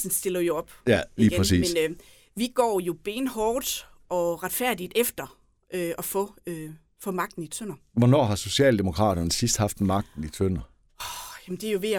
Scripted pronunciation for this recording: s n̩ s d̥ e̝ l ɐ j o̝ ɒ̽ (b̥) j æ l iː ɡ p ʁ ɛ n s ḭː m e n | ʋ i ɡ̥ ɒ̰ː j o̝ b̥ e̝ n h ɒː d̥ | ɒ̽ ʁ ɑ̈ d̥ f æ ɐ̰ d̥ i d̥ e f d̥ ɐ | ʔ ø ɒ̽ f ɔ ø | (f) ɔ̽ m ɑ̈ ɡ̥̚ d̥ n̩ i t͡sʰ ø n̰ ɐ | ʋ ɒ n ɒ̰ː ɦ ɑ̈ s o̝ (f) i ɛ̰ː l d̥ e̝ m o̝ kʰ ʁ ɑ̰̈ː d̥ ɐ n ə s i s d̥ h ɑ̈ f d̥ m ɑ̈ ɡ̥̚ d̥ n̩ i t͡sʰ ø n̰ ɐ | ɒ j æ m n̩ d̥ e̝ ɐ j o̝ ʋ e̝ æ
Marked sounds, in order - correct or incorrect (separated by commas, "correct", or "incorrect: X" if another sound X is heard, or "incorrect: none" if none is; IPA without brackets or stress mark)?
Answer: correct, correct, incorrect: ɕ